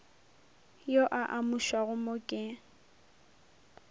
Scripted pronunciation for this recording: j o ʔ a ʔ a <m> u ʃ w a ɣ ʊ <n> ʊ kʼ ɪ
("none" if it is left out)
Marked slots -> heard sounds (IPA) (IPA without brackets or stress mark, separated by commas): m, m